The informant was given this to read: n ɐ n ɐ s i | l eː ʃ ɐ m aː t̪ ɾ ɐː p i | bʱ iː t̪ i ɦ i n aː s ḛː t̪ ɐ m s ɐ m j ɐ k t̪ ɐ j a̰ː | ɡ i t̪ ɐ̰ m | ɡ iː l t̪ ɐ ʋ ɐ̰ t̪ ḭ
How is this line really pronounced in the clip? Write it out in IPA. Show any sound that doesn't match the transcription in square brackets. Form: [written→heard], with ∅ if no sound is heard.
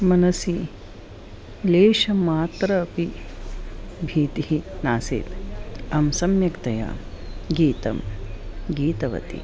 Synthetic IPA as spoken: [n→m] ɐ n ɐ s i | l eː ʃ ɐ m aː t̪ ɾ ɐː p i | bʱ iː t̪ i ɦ i n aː s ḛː t̪ ɐ m s ɐ m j ɐ k t̪ ɐ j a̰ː | ɡ [i→iː] t̪ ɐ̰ m | ɡ iː [l→∅] t̪ ɐ ʋ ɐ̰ t̪ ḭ

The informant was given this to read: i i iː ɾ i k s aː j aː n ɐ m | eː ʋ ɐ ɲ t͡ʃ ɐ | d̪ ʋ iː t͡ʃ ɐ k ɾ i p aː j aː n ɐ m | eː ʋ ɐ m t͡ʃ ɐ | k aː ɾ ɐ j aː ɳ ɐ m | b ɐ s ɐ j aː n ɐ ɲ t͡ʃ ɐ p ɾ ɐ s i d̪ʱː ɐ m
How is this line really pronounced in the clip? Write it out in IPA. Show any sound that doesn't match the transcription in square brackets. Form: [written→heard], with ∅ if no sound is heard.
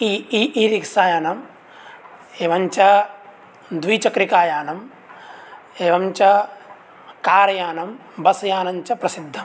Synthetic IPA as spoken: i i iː ɾ i k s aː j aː n ɐ m | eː ʋ ɐ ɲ t͡ʃ ɐ | d̪ ʋ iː t͡ʃ ɐ k ɾ i [p→k] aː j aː n ɐ m | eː ʋ ɐ m t͡ʃ ɐ | k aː ɾ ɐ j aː [ɳ→n] ɐ m | b ɐ s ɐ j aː n ɐ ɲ t͡ʃ ɐ p ɾ ɐ s i d̪ʱː ɐ m

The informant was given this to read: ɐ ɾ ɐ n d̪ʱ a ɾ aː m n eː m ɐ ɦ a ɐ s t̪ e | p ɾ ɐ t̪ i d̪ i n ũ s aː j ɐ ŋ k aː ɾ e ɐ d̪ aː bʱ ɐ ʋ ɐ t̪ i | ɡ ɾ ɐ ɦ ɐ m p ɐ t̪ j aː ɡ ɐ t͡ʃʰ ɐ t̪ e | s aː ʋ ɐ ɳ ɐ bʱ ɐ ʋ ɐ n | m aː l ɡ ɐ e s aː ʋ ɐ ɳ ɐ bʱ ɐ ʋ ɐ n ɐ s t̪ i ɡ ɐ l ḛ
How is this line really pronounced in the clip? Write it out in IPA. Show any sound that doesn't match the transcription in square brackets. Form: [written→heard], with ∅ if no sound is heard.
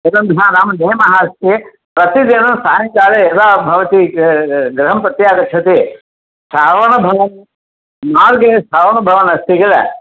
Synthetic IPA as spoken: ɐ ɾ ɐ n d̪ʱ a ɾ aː m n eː m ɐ ɦ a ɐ s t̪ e | p ɾ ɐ t̪ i d̪ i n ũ s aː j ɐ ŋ k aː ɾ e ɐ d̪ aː bʱ ɐ ʋ ɐ t̪ i | ɡ ɾ ɐ ɦ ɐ m p ɐ t̪ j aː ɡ ɐ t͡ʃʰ ɐ t̪ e | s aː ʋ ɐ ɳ ɐ bʱ ɐ ʋ ɐ n | m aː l ɡ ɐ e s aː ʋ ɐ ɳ ɐ bʱ ɐ ʋ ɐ n ɐ s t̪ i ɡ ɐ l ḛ

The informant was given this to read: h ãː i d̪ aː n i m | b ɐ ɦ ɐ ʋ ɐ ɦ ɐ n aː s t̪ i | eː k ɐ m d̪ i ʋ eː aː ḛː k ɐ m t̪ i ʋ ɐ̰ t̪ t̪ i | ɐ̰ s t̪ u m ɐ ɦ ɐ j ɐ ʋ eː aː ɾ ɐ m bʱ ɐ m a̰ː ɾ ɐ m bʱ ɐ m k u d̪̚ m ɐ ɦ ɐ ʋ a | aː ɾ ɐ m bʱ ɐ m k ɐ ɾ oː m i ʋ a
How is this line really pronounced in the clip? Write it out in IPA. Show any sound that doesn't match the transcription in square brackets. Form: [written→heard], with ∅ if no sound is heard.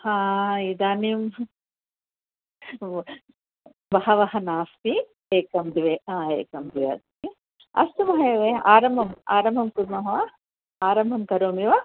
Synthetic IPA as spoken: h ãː i d̪ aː n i m | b ɐ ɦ ɐ ʋ ɐ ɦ ɐ n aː s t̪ i | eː k ɐ m d̪ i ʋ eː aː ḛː k ɐ m [t̪→d̪] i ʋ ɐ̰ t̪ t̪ i | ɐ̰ s t̪ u m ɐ ɦ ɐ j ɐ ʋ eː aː ɾ ɐ m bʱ ɐ m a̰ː ɾ ɐ m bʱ ɐ m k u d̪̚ m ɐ ɦ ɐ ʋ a | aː ɾ ɐ m bʱ ɐ m k ɐ ɾ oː m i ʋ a

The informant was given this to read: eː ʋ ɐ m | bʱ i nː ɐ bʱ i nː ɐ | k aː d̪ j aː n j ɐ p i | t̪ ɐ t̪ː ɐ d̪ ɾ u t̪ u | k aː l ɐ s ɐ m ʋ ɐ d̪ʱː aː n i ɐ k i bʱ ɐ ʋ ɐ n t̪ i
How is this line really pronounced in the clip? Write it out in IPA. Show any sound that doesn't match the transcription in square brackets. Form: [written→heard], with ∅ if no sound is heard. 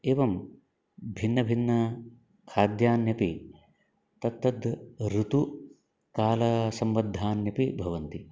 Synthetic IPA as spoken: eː ʋ ɐ m | bʱ i nː ɐ bʱ i nː ɐ | [k→kʰ] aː d̪ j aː n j ɐ p i | t̪ ɐ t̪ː ɐ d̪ ɾ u t̪ u | k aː l ɐ s ɐ m ʋ ɐ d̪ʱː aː n [i→j] ɐ [k→p] i bʱ ɐ ʋ ɐ n t̪ i

